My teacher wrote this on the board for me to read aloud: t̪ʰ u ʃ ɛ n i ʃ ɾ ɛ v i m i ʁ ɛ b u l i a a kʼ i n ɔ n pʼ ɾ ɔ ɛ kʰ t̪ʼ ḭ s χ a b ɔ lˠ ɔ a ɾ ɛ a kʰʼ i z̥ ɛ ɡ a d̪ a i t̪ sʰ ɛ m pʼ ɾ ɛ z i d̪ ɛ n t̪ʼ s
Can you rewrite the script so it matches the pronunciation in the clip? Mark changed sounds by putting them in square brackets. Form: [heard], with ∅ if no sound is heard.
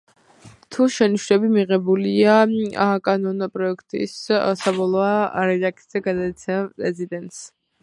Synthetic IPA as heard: t̪ʰ u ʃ ɛ n i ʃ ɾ ɛ [b] i m i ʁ ɛ b u l i a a kʼ [a] n ɔ n pʼ ɾ ɔ ɛ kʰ t̪ʼ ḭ s [s] a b ɔ lˠ ɔ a ɾ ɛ a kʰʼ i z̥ ɛ ɡ a d̪ a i t̪ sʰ ɛ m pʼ ɾ ɛ z i d̪ ɛ n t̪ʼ s